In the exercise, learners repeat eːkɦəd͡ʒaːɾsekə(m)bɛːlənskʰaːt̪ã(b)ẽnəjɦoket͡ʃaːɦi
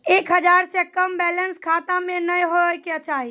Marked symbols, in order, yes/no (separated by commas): yes, no